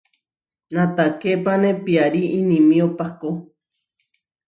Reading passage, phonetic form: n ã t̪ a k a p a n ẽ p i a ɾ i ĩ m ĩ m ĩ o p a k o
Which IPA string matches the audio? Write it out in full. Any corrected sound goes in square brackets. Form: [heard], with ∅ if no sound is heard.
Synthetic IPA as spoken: n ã t̪ a k [e] p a n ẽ p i a ɾ i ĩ [n] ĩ m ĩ o p a k o